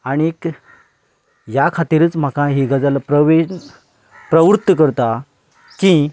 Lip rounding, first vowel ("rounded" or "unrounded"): unrounded